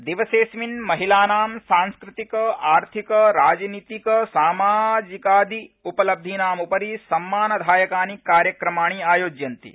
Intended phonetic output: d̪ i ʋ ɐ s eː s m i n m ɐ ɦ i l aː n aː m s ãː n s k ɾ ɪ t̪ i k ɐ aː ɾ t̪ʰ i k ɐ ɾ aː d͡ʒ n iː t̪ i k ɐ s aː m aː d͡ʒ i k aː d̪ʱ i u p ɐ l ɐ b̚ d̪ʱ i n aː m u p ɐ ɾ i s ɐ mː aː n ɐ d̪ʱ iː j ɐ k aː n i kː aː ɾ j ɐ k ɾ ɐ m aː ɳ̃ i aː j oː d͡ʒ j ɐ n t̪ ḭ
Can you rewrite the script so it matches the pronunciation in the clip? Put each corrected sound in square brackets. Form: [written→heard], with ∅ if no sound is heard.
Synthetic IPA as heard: d̪ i ʋ ɐ s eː s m i n m ɐ ɦ i l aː n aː m s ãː n s k ɾ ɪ t̪ i k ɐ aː ɾ t̪ʰ i k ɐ ɾ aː d͡ʒ n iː t̪ i k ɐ s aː m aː d͡ʒ i k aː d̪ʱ i u p ɐ l ɐ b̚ d̪ʱ i n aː m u p ɐ ɾ i s ɐ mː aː n ɐ d̪ʱ [iː→aː] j ɐ k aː n i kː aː ɾ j ɐ k ɾ ɐ m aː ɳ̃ i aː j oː d͡ʒ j ɐ n t̪ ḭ